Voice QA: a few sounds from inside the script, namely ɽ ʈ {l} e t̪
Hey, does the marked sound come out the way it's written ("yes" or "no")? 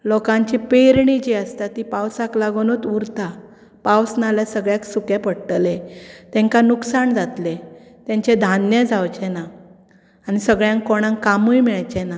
yes